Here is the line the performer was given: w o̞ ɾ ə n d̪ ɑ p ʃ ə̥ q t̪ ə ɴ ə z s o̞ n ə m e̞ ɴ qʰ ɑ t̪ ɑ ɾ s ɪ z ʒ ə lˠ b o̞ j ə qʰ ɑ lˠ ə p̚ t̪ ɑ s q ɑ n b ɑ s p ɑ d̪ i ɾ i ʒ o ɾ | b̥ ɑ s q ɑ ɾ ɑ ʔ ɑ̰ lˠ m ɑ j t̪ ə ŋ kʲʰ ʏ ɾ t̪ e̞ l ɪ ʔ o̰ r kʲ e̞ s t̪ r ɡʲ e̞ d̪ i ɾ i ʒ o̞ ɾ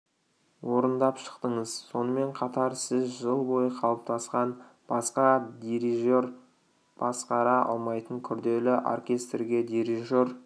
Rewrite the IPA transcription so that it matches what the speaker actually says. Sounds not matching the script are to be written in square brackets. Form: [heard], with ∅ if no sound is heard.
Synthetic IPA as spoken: w o̞ ɾ ə n d̪ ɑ p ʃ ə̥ q t̪ ə ɴ ə z s o̞ n ə m e̞ ɴ qʰ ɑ t̪ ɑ ɾ s ɪ z ʒ ə lˠ b o̞ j ə qʰ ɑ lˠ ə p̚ t̪ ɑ s q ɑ n b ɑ s [q] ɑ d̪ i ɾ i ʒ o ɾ | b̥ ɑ s q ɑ ɾ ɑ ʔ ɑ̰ lˠ m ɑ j t̪ ə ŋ kʲʰ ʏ ɾ [d̪] e̞ l ɪ ʔ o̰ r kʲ e̞ s t̪ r ɡʲ e̞ d̪ i ɾ i ʒ o̞ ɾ